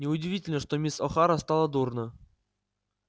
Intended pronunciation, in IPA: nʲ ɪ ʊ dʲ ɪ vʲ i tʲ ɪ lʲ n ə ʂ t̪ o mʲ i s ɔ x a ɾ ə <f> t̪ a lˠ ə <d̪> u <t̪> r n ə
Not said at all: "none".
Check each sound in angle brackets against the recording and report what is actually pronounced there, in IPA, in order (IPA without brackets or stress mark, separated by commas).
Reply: s, d̪, none